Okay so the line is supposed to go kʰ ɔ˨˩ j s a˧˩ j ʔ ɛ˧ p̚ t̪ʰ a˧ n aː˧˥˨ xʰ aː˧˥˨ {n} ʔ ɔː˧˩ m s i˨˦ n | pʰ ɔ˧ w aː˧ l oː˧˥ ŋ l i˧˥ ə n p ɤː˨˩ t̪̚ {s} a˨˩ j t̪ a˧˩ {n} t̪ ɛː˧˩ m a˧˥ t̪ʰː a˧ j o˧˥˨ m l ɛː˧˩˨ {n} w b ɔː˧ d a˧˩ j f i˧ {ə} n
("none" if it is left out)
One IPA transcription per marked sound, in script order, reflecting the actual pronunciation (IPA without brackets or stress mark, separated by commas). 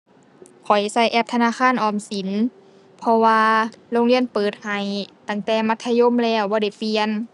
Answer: n, h, ŋ, none, ə